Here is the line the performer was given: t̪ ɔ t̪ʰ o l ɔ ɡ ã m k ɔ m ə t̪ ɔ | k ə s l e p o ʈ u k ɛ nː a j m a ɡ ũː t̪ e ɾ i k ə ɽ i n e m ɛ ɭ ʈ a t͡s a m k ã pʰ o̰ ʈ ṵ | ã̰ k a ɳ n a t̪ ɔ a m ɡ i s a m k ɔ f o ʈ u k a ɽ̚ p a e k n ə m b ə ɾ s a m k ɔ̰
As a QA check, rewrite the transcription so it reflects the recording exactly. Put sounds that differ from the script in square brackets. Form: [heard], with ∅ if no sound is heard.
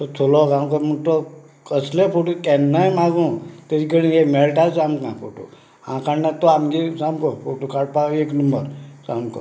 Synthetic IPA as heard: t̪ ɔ t̪ʰ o l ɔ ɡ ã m k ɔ m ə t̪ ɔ | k ə s l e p o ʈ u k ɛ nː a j m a ɡ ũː t̪ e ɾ i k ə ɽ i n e m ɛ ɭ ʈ a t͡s a m k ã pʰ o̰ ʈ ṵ | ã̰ k a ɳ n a t̪ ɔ a m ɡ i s a m k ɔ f o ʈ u k a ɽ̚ p a e k n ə m b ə ɾ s a m k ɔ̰